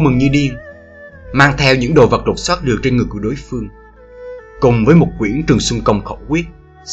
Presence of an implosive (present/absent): present